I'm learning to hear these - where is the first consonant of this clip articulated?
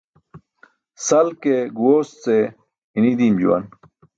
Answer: tongue tip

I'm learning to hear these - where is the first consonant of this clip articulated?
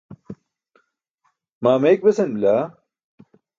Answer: lips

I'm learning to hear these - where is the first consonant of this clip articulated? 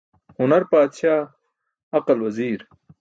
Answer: throat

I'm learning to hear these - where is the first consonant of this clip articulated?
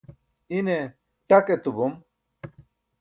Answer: tongue tip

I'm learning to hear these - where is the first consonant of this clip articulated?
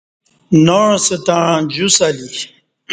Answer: tongue tip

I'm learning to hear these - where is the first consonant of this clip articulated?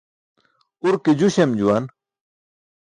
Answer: tongue tip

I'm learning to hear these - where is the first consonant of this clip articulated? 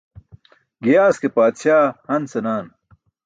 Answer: velum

